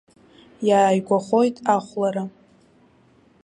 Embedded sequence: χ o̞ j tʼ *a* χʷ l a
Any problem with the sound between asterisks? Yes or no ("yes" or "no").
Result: no